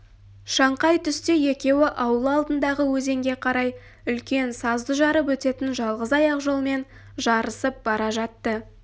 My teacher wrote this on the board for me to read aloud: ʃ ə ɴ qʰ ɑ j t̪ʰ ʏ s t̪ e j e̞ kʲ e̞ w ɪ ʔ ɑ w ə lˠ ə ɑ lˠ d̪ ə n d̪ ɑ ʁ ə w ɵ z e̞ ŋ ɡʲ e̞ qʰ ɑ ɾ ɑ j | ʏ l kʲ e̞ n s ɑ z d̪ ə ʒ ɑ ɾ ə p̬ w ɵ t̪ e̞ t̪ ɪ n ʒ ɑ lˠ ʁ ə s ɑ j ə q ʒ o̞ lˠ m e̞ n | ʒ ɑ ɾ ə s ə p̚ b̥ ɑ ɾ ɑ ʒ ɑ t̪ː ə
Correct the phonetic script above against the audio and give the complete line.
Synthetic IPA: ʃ ɑ ɴ q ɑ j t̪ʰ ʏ s t̪ e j e̞ kʲ e̞ w ɪ ʔ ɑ w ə lˠ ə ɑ lˠ d̪ ə n d̪ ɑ ʁ ə w ɵ z e̞ ŋ ɡʲ e̞ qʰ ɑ ɾ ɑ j | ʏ l kʲ e̞ n s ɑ z d̪ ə ʒ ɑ ɾ ə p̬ w ɵ t̪ e̞ t̪ ɪ n ʒ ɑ lˠ ʁ ə z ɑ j ɑ q ʒ o̞ lˠ m e̞ n | ʒ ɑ ɾ ə s ə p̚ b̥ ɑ ɾ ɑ ʒ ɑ t̪ː ə